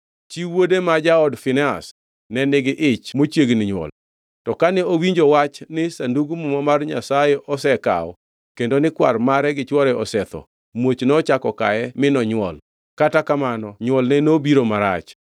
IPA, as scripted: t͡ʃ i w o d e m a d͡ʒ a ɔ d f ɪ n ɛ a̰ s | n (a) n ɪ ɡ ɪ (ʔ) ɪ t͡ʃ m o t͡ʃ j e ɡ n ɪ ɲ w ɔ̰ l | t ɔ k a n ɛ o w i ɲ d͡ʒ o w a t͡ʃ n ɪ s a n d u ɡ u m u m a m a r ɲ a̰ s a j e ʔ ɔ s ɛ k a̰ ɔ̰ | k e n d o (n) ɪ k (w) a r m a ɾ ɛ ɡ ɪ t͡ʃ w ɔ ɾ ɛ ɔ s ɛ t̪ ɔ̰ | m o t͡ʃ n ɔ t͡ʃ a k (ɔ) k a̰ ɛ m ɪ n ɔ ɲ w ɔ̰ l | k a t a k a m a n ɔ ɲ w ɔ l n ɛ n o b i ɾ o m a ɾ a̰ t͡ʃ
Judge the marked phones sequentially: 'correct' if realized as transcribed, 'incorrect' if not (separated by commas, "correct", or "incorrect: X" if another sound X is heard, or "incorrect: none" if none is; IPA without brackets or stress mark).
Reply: incorrect: ɛ, correct, correct, correct, correct